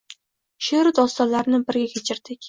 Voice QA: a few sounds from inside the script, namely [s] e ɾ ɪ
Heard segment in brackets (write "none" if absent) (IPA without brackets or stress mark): ʃ